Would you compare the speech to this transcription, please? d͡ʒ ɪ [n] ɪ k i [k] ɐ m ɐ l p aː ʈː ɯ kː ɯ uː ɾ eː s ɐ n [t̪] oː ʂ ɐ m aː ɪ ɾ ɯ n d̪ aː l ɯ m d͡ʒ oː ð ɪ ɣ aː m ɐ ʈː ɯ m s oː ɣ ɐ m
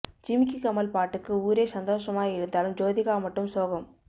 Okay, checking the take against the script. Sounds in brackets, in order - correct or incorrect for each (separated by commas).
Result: incorrect, correct, incorrect